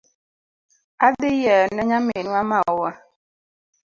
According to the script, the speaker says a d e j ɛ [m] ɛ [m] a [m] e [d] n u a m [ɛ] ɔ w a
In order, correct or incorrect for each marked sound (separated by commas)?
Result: incorrect, incorrect, correct, incorrect, incorrect